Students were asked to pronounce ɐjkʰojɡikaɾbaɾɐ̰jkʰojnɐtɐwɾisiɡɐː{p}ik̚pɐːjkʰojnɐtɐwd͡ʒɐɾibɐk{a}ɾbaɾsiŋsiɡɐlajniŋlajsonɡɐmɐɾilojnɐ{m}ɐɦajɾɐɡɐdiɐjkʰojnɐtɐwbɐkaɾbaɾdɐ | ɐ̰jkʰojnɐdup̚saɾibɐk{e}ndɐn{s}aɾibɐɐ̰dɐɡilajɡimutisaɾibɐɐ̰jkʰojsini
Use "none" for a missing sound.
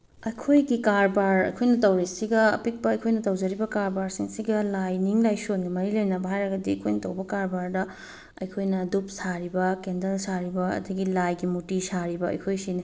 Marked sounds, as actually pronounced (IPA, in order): p, a, b, e, s

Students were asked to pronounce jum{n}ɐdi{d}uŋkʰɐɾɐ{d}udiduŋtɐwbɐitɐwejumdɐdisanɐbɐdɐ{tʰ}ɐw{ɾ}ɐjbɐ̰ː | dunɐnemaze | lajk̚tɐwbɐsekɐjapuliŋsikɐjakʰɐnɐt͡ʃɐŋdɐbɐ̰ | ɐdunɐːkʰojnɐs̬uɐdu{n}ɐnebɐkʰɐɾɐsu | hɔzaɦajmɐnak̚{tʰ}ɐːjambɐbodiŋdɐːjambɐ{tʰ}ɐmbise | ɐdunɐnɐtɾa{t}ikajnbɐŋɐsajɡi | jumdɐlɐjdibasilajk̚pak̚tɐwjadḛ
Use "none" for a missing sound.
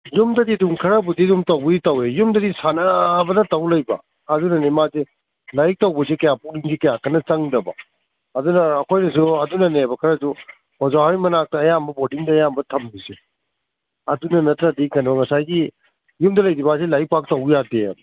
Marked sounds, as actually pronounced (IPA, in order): d, d, b, t, l, n, t, tʰ, d

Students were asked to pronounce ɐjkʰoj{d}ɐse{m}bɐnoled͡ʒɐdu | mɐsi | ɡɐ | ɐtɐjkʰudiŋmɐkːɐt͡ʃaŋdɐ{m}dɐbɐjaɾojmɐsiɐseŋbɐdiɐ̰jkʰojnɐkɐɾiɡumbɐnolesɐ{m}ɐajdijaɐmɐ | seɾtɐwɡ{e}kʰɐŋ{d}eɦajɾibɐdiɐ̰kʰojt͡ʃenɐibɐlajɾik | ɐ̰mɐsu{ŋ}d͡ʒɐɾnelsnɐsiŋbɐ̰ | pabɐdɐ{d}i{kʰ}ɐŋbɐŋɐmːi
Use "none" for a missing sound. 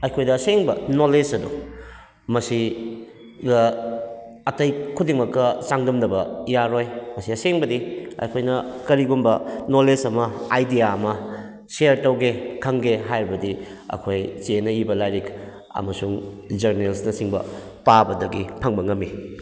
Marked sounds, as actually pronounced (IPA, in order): d, ŋ, m, m, e, ɡ, ŋ, ɡ, pʰ

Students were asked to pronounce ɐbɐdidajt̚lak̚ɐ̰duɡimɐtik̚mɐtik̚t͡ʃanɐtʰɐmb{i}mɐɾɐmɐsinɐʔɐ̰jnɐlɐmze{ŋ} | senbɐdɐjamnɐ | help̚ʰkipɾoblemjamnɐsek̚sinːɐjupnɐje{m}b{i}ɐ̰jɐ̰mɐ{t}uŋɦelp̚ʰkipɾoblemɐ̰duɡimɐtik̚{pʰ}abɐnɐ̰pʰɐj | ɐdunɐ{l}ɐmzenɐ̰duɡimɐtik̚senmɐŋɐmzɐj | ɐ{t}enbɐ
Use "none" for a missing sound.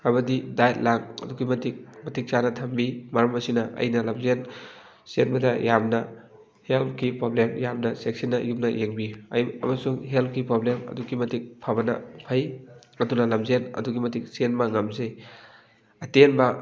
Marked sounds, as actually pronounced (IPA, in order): i, n, ŋ, i, s, pʰ, l, t

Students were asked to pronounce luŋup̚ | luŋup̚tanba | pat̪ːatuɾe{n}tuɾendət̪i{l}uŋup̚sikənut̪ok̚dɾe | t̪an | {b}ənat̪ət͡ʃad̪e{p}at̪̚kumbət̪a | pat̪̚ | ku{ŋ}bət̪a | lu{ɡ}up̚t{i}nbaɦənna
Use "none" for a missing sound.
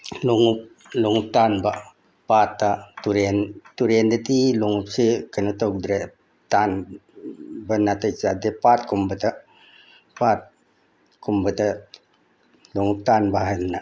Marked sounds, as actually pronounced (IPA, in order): n, l, b, p, m, ŋ, a

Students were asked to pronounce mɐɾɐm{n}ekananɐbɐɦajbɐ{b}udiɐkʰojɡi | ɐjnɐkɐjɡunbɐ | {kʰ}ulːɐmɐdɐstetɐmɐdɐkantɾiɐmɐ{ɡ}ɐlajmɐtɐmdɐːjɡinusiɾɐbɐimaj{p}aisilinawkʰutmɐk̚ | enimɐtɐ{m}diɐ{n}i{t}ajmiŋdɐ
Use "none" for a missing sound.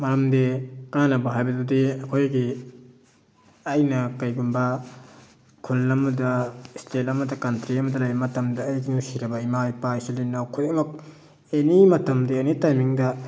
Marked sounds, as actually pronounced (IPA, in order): d, d, kʰ, d, p, m, n, t

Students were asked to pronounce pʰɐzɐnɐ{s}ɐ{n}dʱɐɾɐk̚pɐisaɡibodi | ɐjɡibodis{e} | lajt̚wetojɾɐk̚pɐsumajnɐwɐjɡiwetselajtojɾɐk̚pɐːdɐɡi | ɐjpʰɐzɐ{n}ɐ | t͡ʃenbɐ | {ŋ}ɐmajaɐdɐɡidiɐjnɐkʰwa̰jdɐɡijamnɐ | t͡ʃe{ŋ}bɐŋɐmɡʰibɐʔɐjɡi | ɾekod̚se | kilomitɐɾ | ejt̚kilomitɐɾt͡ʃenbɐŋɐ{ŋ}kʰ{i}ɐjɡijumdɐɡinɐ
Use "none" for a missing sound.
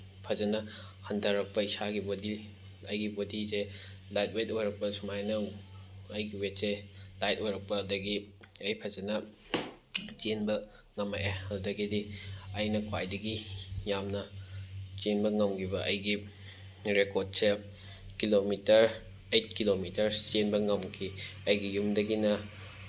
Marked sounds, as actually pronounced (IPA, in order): h, n, e, n, ŋ, n, m, i

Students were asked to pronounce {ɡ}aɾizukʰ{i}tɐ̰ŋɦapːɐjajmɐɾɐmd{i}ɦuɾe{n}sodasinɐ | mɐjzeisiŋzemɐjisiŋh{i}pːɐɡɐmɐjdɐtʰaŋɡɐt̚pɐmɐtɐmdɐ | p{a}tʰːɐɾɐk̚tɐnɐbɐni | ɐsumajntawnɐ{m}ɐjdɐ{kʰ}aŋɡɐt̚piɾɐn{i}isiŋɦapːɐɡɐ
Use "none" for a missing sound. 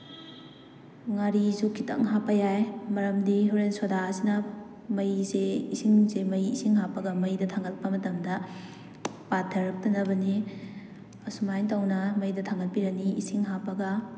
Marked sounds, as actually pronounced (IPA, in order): ŋ, i, i, n, a, a, m, tʰ, i

